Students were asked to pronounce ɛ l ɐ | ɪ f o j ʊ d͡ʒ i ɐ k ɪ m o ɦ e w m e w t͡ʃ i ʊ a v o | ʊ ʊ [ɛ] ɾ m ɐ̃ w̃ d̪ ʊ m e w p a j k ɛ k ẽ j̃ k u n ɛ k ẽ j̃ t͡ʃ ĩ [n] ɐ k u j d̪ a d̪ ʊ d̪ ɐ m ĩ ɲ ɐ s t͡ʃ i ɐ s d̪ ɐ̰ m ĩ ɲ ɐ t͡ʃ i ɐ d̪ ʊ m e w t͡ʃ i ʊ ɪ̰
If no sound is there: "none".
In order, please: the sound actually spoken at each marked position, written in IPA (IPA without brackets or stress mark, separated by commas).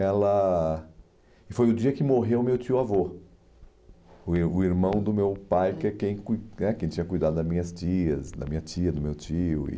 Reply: i, ɲ